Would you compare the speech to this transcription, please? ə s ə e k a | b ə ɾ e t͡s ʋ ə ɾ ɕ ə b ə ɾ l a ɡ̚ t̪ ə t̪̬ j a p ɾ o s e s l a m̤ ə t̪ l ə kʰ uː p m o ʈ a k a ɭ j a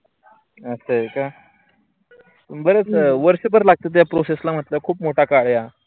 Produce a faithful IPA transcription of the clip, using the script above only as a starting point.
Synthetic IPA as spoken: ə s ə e k a | b ə ɾ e t͡s ʋ ə ɾ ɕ ə b ə ɾ l a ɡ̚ t̪ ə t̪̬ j a p ɾ o s e s l a m̤ ə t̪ l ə kʰ uː p m o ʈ a k a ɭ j a